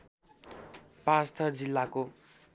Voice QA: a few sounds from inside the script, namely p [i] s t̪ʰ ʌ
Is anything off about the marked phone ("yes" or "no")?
yes